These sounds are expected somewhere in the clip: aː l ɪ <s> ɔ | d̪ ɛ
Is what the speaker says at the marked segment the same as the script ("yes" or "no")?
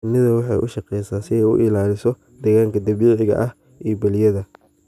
yes